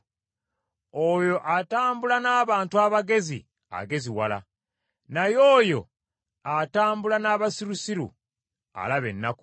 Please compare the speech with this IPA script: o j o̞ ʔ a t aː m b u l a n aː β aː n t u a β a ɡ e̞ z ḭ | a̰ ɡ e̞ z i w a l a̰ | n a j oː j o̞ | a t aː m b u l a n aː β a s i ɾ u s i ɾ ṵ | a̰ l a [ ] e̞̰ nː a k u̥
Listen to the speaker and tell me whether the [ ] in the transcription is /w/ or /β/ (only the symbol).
β